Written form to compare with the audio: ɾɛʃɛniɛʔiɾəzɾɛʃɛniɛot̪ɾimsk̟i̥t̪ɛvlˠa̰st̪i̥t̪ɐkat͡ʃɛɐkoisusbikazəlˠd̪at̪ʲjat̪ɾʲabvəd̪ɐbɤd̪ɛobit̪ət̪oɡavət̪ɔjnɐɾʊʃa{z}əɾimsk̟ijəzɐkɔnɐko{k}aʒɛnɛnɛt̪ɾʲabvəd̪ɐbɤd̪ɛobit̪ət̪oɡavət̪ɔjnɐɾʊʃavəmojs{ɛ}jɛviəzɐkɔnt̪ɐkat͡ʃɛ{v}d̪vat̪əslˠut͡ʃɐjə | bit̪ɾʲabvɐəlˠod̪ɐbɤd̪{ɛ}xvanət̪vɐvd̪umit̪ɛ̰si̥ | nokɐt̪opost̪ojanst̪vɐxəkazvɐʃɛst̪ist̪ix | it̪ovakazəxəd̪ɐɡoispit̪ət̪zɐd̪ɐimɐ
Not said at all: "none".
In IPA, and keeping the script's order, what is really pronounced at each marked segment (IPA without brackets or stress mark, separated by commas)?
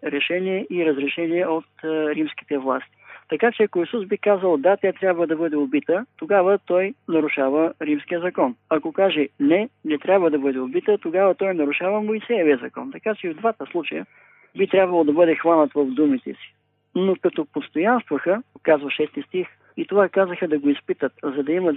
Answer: v, k, ɛ, v, ɛ